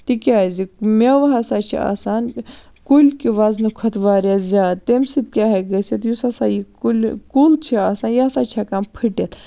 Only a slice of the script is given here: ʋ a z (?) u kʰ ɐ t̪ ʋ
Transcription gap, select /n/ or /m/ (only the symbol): n